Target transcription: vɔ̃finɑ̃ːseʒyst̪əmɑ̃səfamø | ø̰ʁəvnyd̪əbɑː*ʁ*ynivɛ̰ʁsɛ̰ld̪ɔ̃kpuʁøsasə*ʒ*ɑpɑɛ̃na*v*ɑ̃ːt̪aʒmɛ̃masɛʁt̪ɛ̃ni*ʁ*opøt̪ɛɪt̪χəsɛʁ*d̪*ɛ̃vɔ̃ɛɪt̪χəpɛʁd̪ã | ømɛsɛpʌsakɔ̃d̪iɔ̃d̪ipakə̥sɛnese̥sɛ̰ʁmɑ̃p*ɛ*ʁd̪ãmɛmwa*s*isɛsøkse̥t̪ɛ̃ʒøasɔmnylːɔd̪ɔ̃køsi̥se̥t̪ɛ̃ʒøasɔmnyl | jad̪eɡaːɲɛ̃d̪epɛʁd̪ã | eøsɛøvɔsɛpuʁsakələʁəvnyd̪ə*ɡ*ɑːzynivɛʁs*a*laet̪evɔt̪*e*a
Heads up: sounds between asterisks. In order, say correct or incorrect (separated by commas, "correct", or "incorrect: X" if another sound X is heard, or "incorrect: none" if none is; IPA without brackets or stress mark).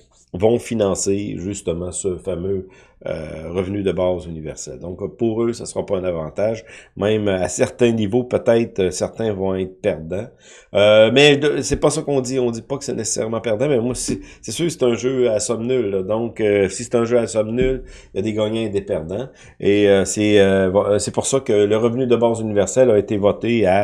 incorrect: z, incorrect: ʁ, correct, incorrect: v, incorrect: t̪, correct, correct, incorrect: b, incorrect: ɛ, correct